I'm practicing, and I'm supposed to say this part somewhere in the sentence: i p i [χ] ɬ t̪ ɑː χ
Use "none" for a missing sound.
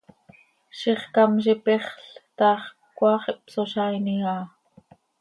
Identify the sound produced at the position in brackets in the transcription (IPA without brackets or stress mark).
χ